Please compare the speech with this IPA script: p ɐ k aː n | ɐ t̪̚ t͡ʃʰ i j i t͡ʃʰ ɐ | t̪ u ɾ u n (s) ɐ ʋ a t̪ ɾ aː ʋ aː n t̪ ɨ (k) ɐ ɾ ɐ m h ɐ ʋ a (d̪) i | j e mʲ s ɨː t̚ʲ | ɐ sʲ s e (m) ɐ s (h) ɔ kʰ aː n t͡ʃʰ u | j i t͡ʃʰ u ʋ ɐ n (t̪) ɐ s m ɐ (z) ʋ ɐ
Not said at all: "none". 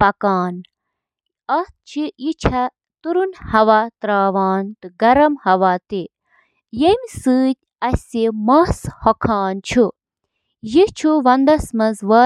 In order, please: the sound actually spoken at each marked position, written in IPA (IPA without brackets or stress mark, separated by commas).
h, ɡ, t̪, m, h, d̪, z